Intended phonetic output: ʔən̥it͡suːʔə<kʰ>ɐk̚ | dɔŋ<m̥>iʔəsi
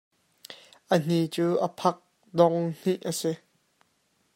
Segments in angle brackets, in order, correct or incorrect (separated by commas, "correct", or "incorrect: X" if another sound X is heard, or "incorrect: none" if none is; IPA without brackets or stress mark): incorrect: pʰ, incorrect: n̥